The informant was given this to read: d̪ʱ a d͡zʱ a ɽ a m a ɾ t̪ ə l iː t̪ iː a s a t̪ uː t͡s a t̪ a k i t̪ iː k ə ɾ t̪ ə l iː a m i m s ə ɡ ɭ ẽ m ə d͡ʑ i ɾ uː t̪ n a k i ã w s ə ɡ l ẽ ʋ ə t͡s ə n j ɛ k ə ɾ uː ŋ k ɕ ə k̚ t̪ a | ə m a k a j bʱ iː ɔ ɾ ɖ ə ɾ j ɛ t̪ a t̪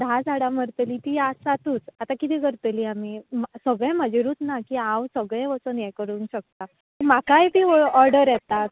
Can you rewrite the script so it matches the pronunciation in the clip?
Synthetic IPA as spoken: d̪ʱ a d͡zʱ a ɽ a m ə ɾ t̪ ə l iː t̪ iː a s a t̪ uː t͡s a t̪ a k i t̪ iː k ə ɾ t̪ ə l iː a m i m s ə ɡ ɭ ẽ m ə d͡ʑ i ɾ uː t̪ n a k i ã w s ə ɡ ɭ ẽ ʋ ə t͡s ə n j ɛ k ə ɾ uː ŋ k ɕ ə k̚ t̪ a | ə m a k a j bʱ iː ɔ ɾ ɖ ə ɾ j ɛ t̪ a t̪